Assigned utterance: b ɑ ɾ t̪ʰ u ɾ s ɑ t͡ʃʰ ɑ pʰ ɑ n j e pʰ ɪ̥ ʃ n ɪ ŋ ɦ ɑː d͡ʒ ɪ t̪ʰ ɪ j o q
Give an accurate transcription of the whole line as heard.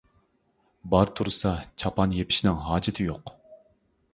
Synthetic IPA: b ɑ ɾ t̪ʰ u ɾ s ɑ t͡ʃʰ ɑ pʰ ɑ n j e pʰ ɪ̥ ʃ n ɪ ŋ ɦ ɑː d͡ʒ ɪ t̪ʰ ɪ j o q